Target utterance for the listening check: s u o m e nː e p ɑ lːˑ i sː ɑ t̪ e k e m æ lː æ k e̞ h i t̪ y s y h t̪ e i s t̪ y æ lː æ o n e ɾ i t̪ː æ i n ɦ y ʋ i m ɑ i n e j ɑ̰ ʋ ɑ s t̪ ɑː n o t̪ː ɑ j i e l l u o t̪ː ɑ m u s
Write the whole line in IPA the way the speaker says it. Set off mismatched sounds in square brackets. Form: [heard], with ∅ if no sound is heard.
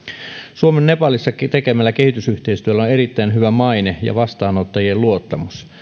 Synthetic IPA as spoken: s u o m e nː e p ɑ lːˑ i sː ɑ t̪ e k e m æ lː æ k e̞ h i t̪ y s y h t̪ e i s t̪ y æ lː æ o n e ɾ i t̪ː æ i n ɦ y ʋ [æ] m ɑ i n e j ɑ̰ ʋ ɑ s t̪ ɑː n o t̪ː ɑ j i e l l u o t̪ː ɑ m u s